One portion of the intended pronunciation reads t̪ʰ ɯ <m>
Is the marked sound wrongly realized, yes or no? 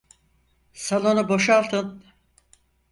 yes